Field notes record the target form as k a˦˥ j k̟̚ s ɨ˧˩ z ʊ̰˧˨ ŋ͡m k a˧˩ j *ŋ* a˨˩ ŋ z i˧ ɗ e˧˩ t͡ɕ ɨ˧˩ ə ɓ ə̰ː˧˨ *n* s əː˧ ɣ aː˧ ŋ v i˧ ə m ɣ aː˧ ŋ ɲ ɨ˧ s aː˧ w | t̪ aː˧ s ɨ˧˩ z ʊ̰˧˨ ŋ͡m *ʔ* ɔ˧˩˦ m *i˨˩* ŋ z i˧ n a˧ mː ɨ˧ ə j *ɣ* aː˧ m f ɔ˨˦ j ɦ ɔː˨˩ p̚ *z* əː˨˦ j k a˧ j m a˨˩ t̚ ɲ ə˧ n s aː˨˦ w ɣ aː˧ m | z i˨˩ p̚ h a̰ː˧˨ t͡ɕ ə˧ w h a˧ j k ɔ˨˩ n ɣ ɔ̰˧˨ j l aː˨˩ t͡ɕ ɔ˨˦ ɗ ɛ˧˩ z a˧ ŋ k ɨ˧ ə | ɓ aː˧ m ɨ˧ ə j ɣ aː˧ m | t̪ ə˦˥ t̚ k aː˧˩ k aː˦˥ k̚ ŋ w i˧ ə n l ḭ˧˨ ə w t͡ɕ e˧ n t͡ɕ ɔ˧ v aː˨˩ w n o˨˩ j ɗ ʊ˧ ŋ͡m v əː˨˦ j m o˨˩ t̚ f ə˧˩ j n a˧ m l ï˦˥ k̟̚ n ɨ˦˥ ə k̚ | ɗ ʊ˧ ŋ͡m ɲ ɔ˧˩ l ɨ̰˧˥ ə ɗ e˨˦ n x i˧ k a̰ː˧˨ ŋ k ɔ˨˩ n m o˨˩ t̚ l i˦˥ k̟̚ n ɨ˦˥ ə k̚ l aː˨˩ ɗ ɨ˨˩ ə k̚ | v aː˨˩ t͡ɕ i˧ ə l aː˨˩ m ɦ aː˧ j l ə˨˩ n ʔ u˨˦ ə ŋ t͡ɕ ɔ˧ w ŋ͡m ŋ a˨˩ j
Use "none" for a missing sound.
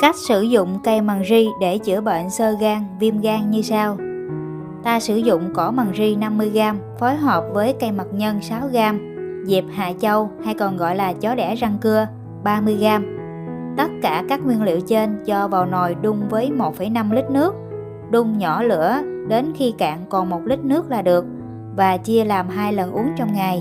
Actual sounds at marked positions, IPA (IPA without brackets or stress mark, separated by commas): m, n, k, a˨˩, ɣ, v